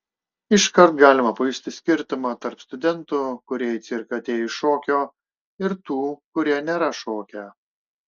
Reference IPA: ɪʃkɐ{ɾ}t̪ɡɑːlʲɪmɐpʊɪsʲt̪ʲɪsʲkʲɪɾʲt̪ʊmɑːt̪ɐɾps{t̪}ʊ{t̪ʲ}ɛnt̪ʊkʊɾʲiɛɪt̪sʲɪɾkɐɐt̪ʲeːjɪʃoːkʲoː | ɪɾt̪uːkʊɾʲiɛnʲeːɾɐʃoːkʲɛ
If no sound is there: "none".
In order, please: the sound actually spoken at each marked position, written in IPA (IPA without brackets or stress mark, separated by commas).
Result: ɾ, t̪, d̪ʲ